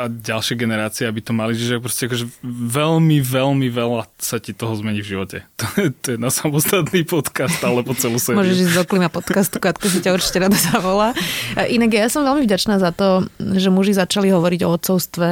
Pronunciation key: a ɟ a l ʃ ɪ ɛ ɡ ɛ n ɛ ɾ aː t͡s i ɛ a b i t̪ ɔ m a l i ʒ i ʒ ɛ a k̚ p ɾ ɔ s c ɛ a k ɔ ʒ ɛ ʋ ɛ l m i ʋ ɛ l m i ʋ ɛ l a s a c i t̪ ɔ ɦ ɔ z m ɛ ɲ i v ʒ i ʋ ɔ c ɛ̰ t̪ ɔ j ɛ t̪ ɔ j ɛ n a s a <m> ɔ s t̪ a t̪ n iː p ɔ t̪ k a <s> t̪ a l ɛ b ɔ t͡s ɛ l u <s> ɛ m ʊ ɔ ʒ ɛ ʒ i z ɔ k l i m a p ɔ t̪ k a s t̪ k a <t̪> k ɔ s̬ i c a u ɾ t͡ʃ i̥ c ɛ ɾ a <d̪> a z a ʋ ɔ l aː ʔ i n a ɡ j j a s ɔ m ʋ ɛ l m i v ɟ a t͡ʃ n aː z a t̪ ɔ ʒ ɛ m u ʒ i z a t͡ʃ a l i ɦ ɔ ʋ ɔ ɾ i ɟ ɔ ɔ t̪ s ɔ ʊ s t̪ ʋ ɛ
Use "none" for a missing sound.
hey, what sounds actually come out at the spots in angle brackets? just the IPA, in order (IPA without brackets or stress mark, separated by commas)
m, s, s, t̪, d̪